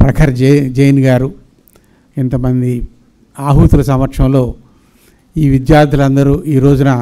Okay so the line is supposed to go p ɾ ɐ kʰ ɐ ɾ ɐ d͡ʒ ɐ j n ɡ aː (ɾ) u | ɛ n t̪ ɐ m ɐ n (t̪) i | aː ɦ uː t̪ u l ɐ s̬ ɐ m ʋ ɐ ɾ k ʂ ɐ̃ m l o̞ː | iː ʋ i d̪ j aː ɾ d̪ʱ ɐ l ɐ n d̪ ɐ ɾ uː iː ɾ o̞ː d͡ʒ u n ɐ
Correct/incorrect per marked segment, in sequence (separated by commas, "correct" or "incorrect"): correct, incorrect